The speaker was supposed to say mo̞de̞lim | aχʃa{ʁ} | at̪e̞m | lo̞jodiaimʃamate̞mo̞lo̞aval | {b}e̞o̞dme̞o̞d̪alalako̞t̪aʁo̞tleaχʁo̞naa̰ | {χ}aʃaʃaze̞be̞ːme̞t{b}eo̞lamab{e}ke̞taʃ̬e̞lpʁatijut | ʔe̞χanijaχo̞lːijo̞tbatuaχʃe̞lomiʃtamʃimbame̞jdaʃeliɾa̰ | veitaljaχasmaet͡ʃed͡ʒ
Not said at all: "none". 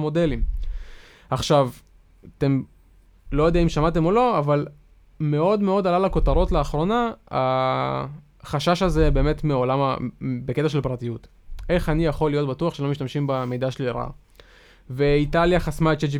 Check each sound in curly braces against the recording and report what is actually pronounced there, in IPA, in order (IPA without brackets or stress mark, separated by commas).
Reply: v, m, χ, m, e